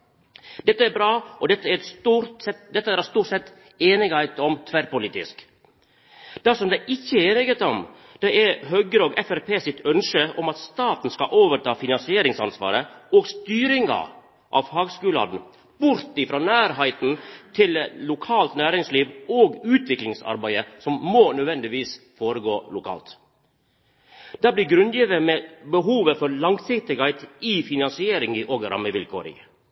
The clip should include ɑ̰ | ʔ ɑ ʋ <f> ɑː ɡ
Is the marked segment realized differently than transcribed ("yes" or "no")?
yes